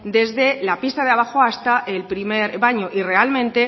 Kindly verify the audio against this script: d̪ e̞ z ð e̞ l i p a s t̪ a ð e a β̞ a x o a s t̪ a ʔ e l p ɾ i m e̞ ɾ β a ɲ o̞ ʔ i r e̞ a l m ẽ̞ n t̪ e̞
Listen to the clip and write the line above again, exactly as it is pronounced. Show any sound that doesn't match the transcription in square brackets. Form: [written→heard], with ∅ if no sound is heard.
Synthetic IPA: d̪ e̞ z ð e̞ l [i→a] p [a→i] s t̪ a ð e a β̞ a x o a s t̪ a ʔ e l p ɾ i m e̞ ɾ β a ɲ o̞ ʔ i r e̞ a l m ẽ̞ n t̪ e̞